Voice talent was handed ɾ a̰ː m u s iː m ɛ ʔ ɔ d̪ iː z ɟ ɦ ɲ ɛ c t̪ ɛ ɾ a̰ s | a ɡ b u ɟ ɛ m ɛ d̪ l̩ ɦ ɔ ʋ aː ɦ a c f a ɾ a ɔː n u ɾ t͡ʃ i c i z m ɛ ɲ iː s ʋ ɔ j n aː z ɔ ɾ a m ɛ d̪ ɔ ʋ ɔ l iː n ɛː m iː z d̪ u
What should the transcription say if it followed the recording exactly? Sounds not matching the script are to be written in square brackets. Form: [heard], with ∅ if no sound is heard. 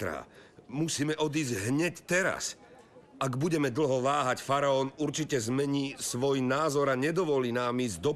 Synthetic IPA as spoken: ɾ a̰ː m u s iː m ɛ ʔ ɔ d̪ iː z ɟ ɦ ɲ ɛ c t̪ ɛ ɾ a̰ s | a ɡ b u ɟ ɛ m ɛ d̪ l̩ ɦ ɔ ʋ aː ɦ a c f a ɾ a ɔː n u ɾ t͡ʃ i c [ɛ] z m ɛ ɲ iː s ʋ ɔ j n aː z ɔ ɾ a [ɲ] ɛ d̪ ɔ ʋ ɔ l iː n [aː] m iː z d̪ [ɔ]